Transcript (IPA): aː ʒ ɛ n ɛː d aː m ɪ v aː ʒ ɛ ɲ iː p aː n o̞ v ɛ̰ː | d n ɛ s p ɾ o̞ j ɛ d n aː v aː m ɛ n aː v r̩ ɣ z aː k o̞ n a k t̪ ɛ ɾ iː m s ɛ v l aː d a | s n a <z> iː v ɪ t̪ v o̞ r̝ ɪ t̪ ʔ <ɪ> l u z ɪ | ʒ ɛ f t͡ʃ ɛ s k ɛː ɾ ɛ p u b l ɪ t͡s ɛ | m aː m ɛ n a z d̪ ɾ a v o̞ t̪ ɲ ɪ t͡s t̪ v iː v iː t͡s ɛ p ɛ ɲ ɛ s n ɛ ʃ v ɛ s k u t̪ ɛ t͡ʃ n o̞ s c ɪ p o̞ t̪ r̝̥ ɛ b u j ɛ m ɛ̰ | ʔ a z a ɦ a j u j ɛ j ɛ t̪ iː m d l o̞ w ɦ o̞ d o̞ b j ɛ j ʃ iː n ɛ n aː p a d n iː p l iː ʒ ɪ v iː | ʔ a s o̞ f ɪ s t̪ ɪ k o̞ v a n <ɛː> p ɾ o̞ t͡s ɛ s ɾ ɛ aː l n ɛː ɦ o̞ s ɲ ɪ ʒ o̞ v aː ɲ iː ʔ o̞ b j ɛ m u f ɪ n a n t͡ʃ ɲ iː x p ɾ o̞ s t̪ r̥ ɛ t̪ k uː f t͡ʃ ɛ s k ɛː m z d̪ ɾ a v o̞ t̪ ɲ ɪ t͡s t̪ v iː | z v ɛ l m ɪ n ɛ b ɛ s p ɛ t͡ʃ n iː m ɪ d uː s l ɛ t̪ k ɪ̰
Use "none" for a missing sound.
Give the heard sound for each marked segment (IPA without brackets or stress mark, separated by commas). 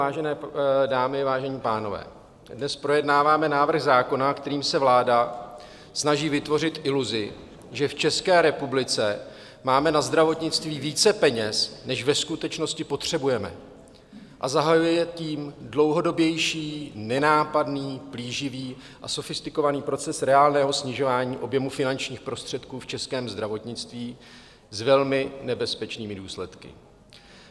ʒ, ɪ, iː